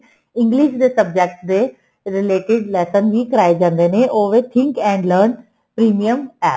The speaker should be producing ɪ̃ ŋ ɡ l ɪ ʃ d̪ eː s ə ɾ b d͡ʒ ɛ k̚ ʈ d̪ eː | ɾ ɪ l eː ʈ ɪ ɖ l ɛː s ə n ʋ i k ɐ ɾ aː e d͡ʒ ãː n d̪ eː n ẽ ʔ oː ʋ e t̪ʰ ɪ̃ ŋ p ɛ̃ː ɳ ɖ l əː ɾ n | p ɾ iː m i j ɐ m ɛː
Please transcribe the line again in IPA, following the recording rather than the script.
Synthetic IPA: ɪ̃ ŋ ɡ l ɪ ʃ d̪ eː s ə b d͡ʒ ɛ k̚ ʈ d̪ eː | ɾ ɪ l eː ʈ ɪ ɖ l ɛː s ə n ʋ i k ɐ ɾ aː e d͡ʒ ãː n d̪ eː n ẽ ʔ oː ʋ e t̪ʰ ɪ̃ ŋ k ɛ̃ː ɳ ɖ l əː ɾ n | p ɾ iː m i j ə m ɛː